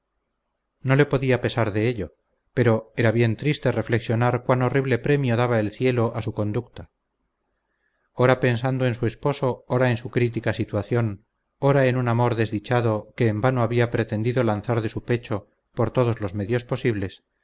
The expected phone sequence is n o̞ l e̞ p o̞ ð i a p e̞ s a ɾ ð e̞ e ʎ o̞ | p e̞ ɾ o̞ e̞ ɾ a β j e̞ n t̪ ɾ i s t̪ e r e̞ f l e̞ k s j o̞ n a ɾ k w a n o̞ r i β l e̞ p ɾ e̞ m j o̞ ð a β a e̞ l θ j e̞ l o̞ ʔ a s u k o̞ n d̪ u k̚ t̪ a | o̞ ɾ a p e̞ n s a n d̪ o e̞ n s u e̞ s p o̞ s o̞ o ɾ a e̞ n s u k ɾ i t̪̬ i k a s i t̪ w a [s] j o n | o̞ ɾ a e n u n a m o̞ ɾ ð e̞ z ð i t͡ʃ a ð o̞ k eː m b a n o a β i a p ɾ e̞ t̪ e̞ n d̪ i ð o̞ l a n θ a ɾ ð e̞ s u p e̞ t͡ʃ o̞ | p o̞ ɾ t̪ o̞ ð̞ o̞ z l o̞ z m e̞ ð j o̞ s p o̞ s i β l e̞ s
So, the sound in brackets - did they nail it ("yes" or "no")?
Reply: no